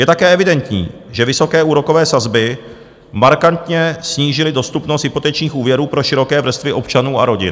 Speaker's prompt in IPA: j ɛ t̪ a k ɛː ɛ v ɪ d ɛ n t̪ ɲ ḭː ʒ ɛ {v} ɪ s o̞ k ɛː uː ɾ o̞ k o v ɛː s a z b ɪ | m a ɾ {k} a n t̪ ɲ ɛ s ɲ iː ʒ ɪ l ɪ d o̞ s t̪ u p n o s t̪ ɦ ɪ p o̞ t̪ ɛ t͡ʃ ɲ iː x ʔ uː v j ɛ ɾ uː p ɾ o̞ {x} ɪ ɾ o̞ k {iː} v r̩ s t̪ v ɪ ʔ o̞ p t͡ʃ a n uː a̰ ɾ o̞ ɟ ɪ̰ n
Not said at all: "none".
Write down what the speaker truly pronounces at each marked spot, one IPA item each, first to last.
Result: v, k, ʃ, ɛː

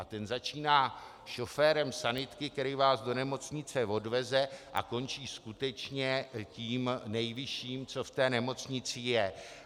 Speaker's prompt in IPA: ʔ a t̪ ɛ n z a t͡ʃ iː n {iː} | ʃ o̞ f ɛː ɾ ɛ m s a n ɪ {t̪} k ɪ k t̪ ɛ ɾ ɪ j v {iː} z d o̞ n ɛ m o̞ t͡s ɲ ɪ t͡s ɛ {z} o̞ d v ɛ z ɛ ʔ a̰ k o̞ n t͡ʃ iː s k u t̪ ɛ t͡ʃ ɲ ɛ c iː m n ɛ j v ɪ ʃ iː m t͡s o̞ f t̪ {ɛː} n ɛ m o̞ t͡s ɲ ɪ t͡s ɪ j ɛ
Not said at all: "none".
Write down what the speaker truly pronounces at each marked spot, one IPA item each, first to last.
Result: aː, t̪, aː, v, ɛː

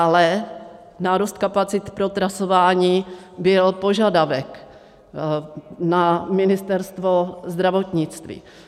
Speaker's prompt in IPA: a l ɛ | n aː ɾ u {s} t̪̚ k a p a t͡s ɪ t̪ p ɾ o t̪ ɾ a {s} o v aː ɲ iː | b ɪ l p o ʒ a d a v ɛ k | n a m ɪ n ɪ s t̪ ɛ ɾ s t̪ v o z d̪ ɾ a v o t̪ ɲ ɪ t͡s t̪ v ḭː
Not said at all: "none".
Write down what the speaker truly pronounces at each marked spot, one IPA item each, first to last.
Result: s, s

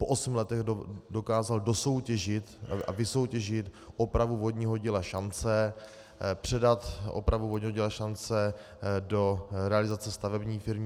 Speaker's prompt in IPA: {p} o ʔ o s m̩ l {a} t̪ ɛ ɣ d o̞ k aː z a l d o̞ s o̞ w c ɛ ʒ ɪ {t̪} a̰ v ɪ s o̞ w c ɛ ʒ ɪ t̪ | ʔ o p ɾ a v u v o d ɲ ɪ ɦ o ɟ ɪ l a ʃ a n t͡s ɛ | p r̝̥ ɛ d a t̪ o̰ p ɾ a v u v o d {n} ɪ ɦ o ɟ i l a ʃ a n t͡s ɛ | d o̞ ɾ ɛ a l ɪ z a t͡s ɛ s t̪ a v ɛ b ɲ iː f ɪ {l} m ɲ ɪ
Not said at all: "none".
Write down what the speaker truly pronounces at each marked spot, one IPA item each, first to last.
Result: p, ɛ, t̪, ɲ, ɾ

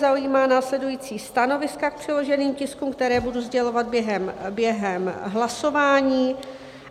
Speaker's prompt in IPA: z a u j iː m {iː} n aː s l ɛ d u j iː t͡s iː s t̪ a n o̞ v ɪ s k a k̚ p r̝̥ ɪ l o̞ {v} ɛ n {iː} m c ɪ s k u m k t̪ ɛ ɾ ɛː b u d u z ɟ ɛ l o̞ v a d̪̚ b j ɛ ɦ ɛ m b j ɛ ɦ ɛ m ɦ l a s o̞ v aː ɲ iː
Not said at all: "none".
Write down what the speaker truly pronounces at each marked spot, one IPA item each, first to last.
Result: aː, ʒ, iː

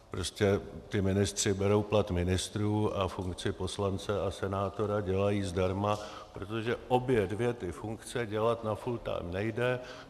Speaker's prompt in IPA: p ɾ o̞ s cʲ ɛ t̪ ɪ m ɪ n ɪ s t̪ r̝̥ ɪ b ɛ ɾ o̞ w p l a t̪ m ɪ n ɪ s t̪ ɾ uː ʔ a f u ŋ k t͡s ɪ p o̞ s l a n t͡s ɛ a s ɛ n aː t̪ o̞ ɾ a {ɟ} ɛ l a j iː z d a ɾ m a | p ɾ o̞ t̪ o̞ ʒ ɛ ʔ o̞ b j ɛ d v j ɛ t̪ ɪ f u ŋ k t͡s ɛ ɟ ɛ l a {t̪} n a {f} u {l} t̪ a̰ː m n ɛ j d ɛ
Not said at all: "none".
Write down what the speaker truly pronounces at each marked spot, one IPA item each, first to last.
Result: ɟ, t̪, f, l

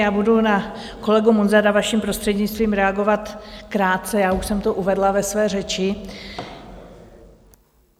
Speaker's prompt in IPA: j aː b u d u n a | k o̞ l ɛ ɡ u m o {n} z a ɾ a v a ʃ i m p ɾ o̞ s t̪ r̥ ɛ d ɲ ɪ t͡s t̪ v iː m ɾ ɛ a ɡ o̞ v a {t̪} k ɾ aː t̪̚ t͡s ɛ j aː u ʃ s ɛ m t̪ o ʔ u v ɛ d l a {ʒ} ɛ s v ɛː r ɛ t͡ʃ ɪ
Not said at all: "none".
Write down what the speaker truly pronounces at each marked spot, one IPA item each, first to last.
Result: n, t̪, v

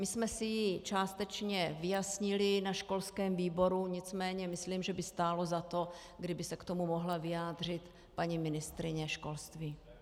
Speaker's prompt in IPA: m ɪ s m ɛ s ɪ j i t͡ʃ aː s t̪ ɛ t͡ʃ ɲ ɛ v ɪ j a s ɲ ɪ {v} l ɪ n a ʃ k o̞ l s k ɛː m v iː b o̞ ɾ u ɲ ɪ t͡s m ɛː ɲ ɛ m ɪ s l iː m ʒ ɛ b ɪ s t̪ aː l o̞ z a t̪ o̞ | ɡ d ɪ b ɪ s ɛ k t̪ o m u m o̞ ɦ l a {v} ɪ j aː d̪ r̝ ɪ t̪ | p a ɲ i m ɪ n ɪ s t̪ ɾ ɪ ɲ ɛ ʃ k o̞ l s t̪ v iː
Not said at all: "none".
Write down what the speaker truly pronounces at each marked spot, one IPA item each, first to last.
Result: none, v

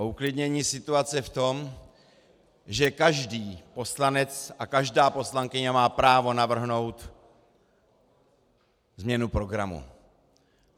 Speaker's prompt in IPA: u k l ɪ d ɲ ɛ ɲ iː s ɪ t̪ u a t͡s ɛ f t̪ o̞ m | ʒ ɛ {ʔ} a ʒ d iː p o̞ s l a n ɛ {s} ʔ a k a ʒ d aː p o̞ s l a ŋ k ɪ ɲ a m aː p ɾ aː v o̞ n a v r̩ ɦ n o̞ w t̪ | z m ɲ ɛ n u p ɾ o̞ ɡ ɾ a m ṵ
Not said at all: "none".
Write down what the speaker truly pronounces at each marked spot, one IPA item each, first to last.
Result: k, t͡s

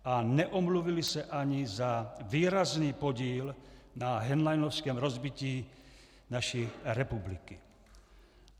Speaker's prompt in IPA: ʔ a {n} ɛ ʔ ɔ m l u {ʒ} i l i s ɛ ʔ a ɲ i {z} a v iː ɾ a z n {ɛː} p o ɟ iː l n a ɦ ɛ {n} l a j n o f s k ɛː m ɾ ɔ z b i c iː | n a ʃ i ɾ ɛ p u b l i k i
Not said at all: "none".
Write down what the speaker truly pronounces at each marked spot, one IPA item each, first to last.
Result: n, v, z, iː, n

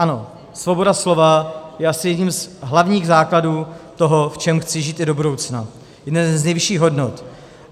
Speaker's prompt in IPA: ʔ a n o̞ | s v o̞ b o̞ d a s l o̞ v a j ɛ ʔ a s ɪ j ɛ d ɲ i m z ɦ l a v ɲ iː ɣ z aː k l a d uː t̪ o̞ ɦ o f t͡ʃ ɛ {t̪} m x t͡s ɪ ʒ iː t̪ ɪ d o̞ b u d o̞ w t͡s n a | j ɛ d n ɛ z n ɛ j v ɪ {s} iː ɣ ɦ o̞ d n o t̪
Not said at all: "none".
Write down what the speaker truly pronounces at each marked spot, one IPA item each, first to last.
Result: none, ʃ

